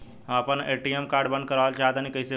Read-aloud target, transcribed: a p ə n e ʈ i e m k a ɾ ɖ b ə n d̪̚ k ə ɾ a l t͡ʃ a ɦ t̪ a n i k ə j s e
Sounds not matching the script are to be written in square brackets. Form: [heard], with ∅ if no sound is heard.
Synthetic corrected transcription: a p ə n e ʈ i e m k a ɾ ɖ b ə n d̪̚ k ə ɾ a l t͡ʃ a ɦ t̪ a n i k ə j s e